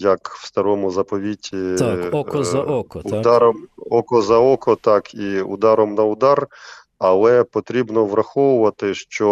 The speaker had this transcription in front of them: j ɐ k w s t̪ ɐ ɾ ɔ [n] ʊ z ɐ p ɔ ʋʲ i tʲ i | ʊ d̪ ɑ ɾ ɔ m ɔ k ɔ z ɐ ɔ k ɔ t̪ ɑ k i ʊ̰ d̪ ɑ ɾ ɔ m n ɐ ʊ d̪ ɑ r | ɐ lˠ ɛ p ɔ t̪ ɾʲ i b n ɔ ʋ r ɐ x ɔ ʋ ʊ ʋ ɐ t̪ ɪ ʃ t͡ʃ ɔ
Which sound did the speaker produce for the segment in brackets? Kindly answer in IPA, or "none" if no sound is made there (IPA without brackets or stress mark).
m